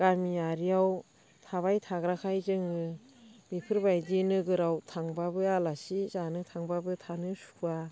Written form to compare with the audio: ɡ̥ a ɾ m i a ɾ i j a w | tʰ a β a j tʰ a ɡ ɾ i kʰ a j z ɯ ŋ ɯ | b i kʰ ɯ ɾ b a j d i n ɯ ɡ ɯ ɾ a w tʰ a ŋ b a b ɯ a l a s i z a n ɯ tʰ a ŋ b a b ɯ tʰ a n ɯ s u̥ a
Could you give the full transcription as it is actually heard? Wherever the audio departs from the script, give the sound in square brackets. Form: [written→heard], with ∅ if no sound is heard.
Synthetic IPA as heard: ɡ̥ a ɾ m i a ɾ i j a w | tʰ a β a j tʰ a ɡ ɾ [i→a] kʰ a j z ɯ ŋ ɯ | b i [kʰ→pʰ] ɯ ɾ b a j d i n ɯ ɡ ɯ ɾ a w tʰ a ŋ b a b ɯ a l a s i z a n ɯ tʰ a ŋ b a b ɯ tʰ a n ɯ s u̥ a